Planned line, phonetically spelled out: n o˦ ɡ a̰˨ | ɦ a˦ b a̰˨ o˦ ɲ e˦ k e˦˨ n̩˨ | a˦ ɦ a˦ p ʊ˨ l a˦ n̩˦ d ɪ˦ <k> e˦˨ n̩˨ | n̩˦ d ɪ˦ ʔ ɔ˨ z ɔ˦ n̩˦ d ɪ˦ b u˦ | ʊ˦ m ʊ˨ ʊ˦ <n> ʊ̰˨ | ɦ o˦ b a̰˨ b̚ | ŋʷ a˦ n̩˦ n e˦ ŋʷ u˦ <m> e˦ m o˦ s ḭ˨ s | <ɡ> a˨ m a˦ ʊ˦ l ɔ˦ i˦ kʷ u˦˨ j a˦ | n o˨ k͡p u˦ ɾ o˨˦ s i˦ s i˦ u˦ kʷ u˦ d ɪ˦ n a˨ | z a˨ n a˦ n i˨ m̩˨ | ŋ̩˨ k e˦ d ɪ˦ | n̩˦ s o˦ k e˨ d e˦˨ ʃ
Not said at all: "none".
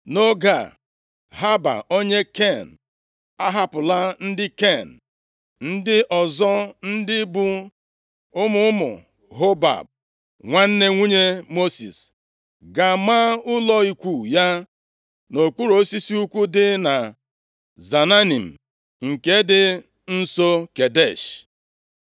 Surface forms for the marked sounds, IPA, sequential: k, m, ɲ, ɡ

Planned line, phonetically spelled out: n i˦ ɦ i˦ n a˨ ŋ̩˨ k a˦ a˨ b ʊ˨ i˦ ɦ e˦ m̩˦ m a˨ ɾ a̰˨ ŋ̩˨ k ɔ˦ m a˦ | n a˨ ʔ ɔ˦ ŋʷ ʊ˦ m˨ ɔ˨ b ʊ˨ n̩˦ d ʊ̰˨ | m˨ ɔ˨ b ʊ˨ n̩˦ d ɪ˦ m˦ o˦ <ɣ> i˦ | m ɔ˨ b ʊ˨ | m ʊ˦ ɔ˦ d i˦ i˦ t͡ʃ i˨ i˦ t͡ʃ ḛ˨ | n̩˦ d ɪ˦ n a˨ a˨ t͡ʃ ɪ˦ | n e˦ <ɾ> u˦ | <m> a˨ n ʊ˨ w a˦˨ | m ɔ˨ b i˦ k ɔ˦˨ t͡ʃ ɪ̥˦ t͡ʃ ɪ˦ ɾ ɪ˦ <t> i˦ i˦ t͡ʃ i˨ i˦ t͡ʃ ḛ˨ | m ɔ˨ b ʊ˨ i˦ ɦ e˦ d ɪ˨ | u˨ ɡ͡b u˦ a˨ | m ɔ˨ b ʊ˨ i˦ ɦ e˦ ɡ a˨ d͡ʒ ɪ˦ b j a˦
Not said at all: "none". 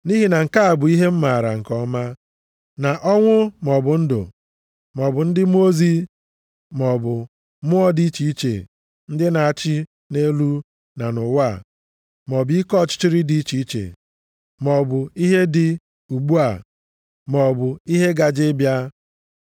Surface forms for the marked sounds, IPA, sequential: z, l, n, d

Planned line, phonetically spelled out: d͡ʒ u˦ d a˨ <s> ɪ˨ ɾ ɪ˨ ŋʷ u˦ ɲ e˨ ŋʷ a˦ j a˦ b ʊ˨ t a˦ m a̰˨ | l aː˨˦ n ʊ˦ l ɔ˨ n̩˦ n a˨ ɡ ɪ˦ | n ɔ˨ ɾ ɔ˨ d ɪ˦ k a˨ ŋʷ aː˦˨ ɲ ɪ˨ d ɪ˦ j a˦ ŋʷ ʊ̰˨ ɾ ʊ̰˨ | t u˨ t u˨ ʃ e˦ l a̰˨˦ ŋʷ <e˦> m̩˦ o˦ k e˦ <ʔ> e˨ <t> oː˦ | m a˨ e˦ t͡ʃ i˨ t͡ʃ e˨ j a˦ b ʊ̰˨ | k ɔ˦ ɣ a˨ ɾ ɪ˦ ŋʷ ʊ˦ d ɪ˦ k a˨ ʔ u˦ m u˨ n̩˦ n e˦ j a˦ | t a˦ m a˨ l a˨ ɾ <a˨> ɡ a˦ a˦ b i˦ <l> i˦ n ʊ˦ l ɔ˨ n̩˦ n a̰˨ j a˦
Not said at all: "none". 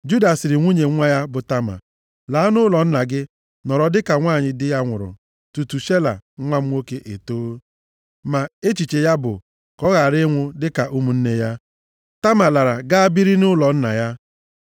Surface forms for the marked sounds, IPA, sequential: s, a˦, ʔ, t, a˨, ɾ

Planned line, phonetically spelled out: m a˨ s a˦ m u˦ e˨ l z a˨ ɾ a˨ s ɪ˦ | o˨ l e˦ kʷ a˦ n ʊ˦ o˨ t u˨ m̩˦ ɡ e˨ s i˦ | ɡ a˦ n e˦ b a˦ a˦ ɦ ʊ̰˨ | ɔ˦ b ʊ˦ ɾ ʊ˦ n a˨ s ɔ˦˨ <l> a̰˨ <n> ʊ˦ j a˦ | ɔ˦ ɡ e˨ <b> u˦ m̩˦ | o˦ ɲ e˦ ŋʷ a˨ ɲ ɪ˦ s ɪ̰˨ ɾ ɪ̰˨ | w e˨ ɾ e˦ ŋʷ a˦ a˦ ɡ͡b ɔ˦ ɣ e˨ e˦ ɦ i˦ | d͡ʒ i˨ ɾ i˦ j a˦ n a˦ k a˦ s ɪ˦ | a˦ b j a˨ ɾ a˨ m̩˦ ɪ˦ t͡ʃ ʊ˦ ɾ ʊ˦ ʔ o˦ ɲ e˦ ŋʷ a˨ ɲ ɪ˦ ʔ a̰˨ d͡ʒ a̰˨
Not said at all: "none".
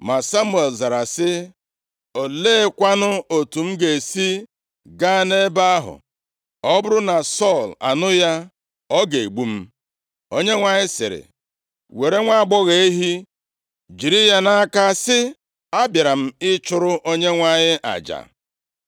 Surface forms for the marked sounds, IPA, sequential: l, n, ɡ͡b

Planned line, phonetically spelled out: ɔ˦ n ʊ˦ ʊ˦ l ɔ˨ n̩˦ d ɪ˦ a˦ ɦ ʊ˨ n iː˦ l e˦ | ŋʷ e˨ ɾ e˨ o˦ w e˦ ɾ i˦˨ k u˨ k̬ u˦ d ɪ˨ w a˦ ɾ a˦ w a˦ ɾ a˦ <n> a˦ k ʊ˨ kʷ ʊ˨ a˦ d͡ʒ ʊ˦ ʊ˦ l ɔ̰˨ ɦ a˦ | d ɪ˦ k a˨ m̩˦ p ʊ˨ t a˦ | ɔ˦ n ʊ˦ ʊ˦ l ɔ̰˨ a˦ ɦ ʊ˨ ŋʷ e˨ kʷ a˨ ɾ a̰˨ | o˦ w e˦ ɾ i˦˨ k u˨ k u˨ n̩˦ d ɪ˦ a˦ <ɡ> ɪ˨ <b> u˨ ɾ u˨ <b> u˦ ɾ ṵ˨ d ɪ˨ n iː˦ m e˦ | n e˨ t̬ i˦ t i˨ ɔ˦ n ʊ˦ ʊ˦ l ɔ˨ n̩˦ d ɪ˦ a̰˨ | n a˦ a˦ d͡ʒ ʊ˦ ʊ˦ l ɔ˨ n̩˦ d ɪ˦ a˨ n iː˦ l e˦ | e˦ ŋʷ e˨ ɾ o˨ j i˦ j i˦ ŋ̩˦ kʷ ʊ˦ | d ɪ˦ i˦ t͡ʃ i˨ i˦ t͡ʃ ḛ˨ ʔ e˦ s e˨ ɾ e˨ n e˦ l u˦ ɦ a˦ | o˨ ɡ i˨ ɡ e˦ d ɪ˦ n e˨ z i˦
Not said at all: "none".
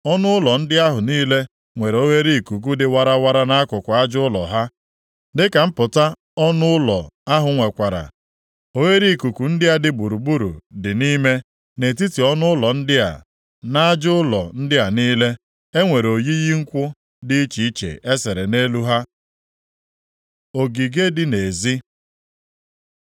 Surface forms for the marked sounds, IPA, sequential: n, d, b, b

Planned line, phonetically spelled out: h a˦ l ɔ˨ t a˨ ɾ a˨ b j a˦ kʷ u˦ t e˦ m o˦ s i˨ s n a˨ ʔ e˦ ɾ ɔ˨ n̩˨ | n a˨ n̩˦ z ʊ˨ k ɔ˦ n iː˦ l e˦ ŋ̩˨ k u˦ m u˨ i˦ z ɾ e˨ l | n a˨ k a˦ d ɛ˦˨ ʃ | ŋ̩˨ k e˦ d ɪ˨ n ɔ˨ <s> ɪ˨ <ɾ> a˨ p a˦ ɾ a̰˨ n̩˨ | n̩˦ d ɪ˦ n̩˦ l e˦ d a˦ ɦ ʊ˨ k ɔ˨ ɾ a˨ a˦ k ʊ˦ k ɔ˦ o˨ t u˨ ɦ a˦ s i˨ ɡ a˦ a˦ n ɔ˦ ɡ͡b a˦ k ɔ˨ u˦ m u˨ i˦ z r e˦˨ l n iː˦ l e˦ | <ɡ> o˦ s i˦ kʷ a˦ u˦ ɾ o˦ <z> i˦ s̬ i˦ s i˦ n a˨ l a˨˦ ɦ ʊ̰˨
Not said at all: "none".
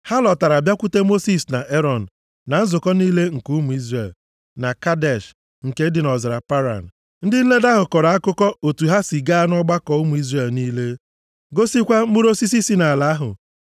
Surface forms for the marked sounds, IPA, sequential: z, ɾ, ɡ, s

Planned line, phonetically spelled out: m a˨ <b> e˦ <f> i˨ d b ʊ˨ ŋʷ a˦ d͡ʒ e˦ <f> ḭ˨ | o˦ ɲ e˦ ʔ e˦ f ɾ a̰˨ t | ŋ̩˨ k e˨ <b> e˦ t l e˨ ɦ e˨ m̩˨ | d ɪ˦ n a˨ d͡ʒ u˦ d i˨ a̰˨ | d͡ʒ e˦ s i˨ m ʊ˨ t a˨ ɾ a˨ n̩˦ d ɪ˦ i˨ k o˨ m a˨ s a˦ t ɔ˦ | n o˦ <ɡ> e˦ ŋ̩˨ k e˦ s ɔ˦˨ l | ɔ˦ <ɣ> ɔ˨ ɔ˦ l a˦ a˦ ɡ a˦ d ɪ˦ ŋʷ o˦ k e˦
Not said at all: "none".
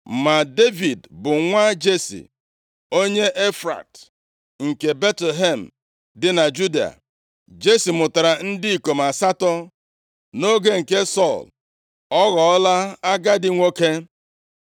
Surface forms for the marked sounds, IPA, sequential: d, v, s, b, ɡ, ɣ

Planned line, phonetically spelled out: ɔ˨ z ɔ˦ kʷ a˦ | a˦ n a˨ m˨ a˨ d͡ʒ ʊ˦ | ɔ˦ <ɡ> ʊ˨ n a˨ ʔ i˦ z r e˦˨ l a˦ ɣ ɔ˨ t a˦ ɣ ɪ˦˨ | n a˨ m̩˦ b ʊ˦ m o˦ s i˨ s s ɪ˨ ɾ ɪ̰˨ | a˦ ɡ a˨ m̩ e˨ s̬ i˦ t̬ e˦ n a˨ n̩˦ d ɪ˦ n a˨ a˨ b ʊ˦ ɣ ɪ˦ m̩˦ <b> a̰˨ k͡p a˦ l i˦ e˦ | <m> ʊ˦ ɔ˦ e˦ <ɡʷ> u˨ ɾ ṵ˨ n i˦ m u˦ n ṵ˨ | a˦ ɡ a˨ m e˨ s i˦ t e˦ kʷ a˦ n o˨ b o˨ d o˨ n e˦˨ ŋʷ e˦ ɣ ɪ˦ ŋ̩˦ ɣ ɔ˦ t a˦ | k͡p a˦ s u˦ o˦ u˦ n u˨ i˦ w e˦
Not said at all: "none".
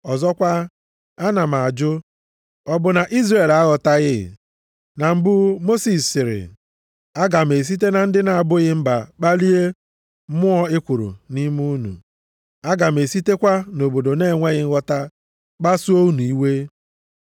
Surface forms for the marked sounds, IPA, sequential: b, b, m, kʷ

